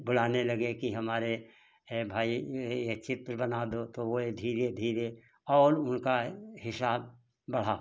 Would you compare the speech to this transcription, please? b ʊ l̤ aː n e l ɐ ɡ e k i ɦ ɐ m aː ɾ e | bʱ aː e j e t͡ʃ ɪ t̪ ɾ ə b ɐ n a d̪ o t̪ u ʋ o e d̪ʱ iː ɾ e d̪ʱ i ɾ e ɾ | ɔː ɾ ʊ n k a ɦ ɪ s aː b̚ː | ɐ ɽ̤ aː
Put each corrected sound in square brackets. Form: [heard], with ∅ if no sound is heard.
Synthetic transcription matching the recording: b ʊ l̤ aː n e l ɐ ɡ e k i ɦ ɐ m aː ɾ e | bʱ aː [i] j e t͡ʃ ɪ t̪ ɾ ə b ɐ n a d̪ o t̪ [o] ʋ o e d̪ʱ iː ɾ e d̪ʱ [iː] ɾ e [∅] | ɔː ɾ ʊ n k a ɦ ɪ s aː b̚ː | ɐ ɽ̤ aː